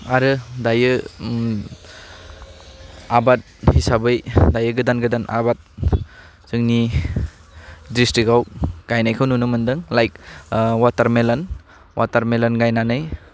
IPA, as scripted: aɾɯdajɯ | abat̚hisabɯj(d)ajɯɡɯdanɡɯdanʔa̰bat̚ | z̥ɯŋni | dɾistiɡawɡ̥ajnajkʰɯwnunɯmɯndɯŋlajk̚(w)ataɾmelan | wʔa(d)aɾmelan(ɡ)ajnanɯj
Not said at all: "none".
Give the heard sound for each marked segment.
d, w, t, ɡ

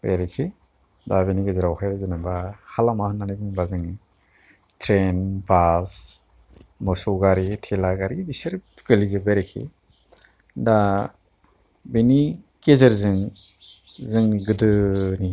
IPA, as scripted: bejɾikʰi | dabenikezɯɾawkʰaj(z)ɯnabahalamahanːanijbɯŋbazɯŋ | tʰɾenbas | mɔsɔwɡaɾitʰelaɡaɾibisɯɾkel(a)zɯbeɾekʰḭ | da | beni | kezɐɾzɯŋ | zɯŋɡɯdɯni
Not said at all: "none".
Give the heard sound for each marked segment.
z, i

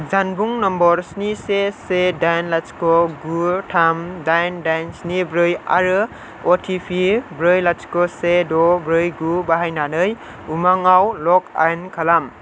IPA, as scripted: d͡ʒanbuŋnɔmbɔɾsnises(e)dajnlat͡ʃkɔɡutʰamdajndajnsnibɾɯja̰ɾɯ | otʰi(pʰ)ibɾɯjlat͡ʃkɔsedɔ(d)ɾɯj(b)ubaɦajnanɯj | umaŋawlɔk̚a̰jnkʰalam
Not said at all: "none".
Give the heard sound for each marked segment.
e, pʰ, b, ɡ

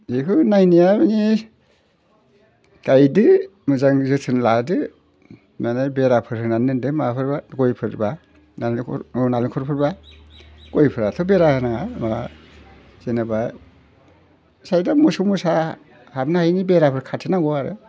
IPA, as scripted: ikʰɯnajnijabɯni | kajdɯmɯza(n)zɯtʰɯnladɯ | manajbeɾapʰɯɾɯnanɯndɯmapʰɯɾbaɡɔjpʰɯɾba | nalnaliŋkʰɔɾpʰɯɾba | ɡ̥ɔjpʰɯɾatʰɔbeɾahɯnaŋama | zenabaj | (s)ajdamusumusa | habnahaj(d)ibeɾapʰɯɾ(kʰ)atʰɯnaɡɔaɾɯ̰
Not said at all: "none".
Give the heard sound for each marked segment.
ŋ, s, n, kʰ

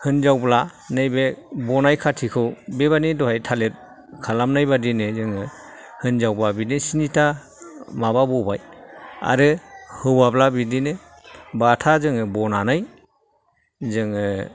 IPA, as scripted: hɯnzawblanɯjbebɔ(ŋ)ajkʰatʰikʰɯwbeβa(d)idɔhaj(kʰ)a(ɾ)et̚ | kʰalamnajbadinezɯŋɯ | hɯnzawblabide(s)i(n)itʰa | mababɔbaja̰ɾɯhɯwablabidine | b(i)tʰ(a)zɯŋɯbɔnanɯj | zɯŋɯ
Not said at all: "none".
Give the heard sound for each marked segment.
n, n, tʰ, l, s, n, a, a

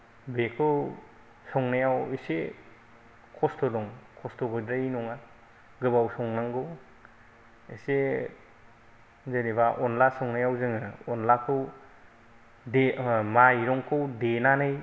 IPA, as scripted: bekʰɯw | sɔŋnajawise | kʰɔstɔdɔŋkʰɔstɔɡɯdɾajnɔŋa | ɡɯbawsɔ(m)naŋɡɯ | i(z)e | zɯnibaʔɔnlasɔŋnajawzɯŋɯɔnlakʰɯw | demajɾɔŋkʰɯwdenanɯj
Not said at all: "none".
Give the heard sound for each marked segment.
ŋ, s

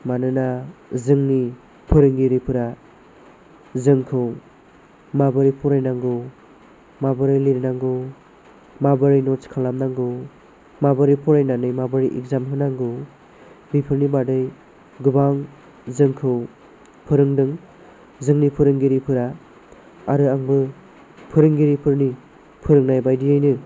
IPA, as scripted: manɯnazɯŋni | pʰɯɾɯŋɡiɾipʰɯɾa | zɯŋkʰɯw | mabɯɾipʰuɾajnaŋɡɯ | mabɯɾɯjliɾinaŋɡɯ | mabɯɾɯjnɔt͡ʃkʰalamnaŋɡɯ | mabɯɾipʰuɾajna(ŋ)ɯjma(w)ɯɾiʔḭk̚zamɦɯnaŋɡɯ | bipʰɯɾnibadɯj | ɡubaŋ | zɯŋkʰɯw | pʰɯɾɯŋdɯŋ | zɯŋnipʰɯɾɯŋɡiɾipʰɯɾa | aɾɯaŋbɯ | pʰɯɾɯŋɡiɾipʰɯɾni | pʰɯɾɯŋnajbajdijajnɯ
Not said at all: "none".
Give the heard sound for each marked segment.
n, b

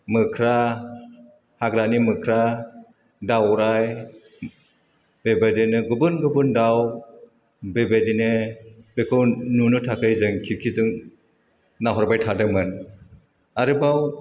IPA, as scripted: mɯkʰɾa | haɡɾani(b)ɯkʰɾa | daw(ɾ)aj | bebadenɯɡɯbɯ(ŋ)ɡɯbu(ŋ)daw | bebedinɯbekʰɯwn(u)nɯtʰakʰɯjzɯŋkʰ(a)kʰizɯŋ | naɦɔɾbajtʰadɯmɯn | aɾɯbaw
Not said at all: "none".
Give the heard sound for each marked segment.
m, ɾ, n, n, u, i

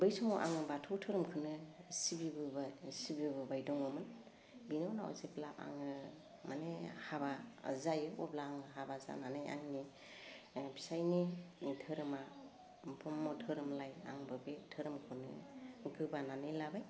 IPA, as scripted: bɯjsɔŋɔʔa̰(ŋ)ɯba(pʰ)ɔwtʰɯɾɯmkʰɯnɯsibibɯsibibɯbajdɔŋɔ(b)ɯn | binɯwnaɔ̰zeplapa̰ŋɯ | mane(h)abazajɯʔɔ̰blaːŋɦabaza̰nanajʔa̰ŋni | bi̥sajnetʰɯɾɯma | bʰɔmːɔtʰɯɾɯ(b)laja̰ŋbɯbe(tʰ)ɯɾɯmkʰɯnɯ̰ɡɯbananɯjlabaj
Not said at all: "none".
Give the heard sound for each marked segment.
ŋ, tʰ, m, h, m, tʰ

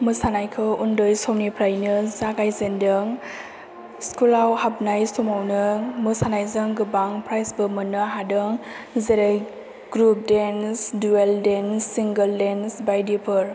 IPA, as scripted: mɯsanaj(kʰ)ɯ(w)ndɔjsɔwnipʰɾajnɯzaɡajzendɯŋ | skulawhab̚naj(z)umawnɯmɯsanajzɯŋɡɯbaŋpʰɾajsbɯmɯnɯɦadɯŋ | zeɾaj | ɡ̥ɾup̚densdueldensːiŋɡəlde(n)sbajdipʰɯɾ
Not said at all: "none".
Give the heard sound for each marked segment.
kʰ, u, s, n

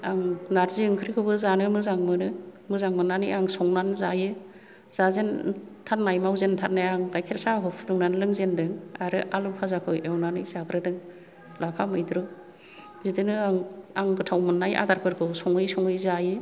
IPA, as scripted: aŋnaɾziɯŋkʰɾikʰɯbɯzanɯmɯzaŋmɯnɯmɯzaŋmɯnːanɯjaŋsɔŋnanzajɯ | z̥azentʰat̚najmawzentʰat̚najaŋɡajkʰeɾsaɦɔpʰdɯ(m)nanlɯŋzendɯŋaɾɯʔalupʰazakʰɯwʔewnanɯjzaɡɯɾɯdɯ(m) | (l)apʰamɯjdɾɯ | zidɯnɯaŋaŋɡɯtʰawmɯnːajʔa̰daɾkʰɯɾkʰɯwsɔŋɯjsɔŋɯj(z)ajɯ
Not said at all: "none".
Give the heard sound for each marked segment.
ŋ, ŋ, l, z

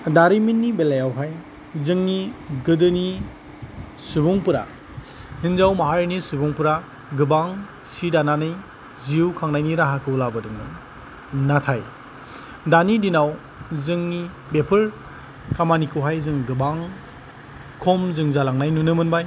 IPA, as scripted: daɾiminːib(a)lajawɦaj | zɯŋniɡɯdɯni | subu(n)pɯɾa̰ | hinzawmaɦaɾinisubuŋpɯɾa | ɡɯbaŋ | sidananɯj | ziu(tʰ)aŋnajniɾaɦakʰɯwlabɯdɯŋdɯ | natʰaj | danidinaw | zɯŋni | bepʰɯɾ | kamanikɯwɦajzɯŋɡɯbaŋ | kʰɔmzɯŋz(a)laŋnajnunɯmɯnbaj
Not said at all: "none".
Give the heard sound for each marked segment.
e, ŋ, kʰ, a

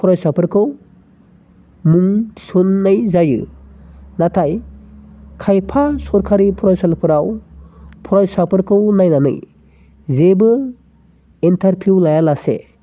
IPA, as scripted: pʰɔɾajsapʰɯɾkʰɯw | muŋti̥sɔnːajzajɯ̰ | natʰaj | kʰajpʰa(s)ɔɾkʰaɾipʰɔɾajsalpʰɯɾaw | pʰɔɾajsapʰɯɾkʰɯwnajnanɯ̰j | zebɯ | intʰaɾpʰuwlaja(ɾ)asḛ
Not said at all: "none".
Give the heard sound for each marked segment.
s, l

